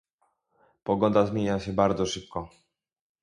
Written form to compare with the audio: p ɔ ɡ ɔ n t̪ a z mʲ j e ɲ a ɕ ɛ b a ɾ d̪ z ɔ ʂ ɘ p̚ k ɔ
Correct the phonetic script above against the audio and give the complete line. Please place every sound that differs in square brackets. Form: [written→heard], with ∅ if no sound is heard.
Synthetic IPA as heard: p ɔ ɡ ɔ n [t̪→d̪] a z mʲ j e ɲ a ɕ ɛ b a ɾ d̪ z ɔ ʂ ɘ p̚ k ɔ